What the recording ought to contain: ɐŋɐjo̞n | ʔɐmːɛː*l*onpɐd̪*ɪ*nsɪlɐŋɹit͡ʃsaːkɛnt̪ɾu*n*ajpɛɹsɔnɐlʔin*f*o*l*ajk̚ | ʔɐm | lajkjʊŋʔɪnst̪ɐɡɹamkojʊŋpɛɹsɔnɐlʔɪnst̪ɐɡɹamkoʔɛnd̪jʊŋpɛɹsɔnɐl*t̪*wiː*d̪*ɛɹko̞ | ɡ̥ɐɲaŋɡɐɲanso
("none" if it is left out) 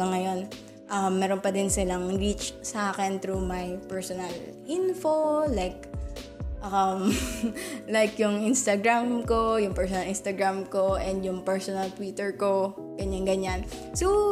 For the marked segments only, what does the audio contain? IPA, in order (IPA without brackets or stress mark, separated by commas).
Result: ɾ, ɪ, m, f, l, t̪, t̪